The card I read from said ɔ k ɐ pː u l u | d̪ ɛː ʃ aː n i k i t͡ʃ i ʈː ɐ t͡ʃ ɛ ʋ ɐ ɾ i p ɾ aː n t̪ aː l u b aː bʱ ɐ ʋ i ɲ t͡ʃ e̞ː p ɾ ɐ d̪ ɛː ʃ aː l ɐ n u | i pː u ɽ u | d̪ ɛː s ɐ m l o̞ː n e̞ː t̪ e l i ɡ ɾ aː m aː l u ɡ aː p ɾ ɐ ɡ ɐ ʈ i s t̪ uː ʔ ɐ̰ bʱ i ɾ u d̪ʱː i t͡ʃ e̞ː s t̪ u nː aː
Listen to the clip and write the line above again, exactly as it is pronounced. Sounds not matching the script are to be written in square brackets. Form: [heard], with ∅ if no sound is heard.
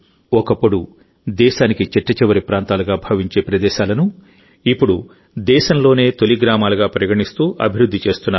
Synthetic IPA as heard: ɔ k ɐ pː u [ɽ] u | d̪ ɛː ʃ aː n i k i t͡ʃ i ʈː ɐ t͡ʃ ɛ ʋ ɐ ɾ i p ɾ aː n t̪ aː l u [ɡ] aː bʱ ɐ ʋ i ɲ t͡ʃ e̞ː p ɾ ɐ d̪ ɛː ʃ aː l ɐ n u | i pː u ɽ u | d̪ ɛː [ʃ] ɐ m l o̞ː n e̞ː t̪ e l i ɡ ɾ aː m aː l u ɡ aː p ɾ ɐ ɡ ɐ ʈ i s t̪ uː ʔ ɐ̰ bʱ i ɾ u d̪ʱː i t͡ʃ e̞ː s t̪ u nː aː